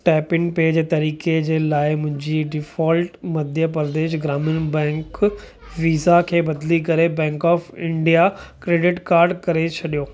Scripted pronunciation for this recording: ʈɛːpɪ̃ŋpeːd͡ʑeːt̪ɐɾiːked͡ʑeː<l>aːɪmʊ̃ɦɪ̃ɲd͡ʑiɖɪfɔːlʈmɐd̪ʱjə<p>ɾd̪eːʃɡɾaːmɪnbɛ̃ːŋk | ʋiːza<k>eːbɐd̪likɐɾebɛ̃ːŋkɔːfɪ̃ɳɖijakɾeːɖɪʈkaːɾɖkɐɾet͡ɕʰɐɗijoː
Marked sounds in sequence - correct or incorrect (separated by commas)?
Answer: correct, correct, incorrect